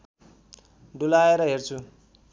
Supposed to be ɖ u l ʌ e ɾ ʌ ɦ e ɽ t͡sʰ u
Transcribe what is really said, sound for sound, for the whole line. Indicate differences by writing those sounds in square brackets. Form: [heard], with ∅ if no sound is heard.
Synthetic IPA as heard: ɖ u l [a] e ɾ ʌ ɦ e [r] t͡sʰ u